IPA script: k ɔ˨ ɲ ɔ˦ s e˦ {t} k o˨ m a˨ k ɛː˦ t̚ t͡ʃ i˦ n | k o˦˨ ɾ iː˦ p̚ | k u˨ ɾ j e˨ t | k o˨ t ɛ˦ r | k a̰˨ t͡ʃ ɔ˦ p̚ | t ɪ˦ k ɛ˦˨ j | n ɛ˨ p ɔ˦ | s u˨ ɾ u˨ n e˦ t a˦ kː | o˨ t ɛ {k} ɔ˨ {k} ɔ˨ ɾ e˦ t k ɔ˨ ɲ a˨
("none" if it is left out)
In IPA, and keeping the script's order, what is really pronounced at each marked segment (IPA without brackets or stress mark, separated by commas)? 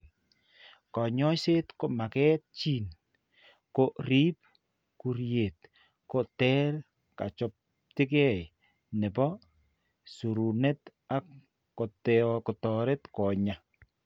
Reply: t, k, t